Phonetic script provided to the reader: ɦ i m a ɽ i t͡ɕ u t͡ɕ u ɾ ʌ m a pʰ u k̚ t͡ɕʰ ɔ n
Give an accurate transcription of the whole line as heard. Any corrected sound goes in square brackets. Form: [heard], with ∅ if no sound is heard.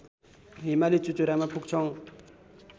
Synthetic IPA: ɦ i m a [l] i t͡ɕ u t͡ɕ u ɾ [a] m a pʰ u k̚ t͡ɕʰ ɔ [ŋ]